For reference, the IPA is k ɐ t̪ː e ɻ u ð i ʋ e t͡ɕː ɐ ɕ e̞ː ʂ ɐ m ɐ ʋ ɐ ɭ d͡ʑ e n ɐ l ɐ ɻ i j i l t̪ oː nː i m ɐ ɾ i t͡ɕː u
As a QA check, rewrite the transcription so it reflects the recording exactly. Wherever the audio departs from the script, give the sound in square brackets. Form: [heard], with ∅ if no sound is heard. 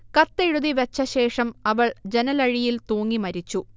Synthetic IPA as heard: k ɐ t̪ː e ɻ u ð i ʋ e t͡ɕː ɐ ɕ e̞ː ʂ ɐ m ɐ ʋ ɐ ɭ d͡ʑ e n ɐ l ɐ ɻ i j i l t̪ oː [ŋː] i m ɐ ɾ i t͡ɕː u